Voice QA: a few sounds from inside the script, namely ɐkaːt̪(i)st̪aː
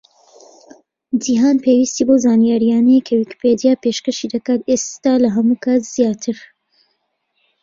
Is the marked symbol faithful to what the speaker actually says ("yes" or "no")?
no